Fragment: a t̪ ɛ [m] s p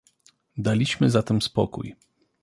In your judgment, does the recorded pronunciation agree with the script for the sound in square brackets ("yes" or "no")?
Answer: yes